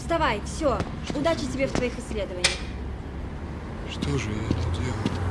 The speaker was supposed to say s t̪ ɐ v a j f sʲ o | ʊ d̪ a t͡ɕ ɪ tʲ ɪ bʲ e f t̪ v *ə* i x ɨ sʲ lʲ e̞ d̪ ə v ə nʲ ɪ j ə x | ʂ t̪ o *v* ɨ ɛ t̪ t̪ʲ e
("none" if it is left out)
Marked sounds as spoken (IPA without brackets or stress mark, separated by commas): ɐ, ʐ